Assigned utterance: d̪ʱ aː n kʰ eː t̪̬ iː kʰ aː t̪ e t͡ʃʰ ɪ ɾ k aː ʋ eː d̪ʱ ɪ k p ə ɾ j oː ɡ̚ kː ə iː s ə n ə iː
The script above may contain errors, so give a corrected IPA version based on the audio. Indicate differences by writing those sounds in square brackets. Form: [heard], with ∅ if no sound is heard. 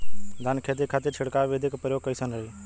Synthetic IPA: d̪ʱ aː n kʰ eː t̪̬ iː kʰ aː t̪ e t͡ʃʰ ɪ [ɽ] k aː ʋ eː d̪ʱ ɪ k p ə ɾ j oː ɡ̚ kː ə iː s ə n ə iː